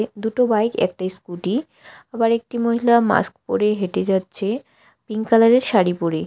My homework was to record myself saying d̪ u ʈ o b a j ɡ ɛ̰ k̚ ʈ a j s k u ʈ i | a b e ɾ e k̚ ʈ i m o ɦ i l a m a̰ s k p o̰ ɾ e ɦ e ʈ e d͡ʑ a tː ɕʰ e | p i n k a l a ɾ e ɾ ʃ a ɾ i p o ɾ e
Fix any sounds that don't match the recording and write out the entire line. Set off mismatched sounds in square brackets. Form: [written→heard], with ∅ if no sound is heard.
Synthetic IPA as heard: d̪ u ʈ o b a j [ɡ→k] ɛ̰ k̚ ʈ a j s k u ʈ i | a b [e→a] ɾ e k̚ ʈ i m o ɦ i l a m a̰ s k p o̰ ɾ e ɦ e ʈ e d͡ʑ a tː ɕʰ e | p i [n→ŋ] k a l a ɾ e ɾ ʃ a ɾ i p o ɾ e